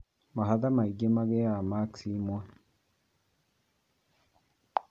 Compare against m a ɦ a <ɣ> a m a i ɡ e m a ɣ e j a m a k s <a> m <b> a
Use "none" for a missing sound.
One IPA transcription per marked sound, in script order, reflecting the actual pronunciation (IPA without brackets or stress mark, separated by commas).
ð, i, w